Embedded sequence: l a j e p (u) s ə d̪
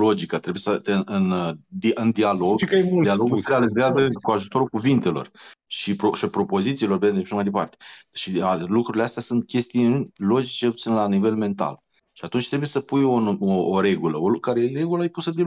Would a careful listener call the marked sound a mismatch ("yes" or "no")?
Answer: no